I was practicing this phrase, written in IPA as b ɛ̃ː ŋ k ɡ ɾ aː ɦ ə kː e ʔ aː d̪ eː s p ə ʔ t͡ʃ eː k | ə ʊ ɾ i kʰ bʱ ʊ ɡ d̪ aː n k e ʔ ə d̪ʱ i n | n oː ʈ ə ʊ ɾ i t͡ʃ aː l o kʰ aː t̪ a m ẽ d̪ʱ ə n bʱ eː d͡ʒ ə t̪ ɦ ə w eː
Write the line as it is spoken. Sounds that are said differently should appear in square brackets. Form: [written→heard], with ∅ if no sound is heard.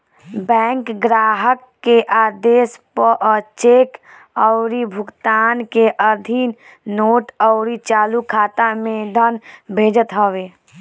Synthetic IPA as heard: b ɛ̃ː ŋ k ɡ ɾ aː ɦ ə kː e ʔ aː d̪ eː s p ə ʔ t͡ʃ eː k | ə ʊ ɾ i [kʰ→∅] bʱ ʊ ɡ [d̪→t̪] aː n k e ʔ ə d̪ʱ i n | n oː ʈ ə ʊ ɾ i t͡ʃ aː l [o→u] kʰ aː t̪ a m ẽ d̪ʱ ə n bʱ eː d͡ʒ ə t̪ ɦ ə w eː